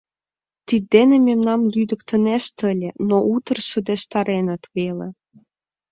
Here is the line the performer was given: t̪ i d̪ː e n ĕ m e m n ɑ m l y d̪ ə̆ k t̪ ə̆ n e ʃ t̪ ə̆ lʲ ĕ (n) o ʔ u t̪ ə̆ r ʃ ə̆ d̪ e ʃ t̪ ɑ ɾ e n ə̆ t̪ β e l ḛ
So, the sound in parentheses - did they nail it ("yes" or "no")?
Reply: yes